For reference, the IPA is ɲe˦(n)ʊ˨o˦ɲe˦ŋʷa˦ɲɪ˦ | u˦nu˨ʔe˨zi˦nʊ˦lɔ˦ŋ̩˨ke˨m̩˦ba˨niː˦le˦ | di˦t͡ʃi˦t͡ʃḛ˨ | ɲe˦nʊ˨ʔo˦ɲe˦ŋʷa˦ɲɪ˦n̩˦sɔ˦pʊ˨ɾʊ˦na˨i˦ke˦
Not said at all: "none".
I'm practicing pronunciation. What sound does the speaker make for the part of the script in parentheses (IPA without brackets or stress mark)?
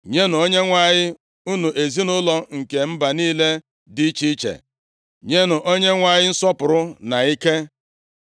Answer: n